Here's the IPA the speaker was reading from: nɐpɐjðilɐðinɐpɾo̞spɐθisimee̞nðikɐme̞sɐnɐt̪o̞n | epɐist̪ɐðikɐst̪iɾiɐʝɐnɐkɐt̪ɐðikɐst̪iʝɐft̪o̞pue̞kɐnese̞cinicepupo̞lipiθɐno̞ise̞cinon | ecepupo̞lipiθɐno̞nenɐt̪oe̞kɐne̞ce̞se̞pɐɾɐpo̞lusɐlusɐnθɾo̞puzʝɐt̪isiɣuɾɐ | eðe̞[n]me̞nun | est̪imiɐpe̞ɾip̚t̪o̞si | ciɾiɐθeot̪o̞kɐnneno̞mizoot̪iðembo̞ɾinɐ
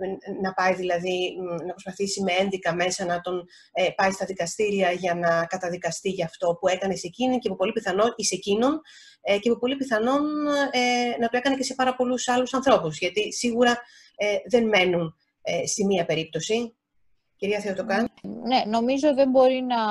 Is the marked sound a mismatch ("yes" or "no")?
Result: no